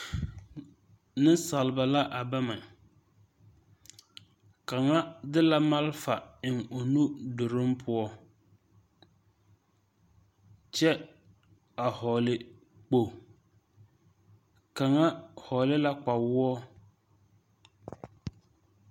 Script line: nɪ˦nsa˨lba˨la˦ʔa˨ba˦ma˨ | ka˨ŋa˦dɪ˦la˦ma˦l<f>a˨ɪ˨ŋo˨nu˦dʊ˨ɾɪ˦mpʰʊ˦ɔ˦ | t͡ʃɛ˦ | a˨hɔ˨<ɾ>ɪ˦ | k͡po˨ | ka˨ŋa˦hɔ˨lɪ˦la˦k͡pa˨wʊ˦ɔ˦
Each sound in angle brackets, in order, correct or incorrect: correct, incorrect: l

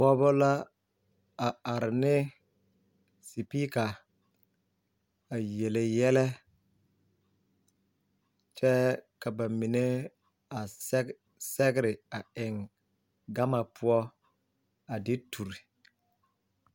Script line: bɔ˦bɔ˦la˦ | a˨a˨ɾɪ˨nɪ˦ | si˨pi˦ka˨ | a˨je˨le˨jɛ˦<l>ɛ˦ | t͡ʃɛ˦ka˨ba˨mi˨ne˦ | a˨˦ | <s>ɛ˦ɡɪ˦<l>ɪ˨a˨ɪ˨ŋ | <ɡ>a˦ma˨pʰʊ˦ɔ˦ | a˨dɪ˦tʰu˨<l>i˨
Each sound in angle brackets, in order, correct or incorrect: correct, correct, incorrect: ɾ, correct, incorrect: ɾ

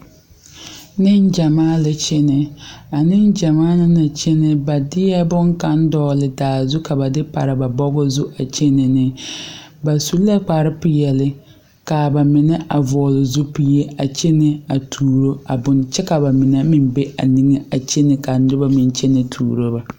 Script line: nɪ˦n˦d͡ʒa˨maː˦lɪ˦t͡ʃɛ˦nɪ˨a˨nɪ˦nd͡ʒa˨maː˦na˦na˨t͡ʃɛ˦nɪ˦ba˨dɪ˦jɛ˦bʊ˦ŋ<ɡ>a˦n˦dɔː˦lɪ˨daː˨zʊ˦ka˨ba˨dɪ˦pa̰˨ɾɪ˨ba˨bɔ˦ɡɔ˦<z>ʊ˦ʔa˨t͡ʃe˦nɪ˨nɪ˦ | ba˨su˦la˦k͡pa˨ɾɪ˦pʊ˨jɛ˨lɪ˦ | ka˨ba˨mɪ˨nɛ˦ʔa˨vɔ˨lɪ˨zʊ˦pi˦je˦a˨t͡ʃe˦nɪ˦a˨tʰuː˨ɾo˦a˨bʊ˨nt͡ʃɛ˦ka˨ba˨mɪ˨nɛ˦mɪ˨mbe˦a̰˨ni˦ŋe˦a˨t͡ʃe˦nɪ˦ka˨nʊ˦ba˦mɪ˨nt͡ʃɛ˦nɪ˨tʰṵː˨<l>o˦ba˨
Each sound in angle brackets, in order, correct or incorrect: incorrect: k, correct, incorrect: ɾ

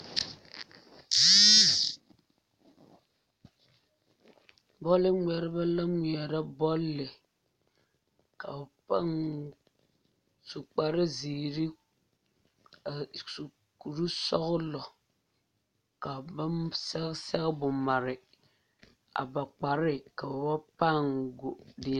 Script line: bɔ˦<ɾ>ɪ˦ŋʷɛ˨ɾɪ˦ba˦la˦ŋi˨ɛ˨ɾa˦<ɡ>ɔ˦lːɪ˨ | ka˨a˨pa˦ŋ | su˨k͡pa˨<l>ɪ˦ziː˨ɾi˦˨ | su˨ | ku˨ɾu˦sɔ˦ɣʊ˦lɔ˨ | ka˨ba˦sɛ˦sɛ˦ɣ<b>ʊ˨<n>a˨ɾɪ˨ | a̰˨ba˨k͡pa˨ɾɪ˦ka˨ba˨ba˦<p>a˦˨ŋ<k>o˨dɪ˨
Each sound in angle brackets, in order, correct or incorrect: incorrect: l, incorrect: b, incorrect: ɾ, correct, incorrect: m, correct, incorrect: ɡ

